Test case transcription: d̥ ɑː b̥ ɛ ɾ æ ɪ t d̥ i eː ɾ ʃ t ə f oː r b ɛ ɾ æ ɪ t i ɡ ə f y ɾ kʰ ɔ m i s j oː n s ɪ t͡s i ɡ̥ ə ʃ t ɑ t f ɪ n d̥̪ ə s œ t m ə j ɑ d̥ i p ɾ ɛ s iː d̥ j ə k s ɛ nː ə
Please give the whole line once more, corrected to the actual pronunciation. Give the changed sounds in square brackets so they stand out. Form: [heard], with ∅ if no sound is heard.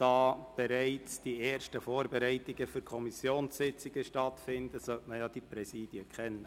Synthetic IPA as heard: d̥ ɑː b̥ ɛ ɾ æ ɪ [t͡s] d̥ i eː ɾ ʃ t ə f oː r b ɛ ɾ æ ɪ t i ɡ ə f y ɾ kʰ ɔ m i s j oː n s ɪ t͡s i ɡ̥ ə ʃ t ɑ t f ɪ n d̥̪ ə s œ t m ə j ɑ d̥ i p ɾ ɛ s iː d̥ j ə k [χ] ɛ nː ə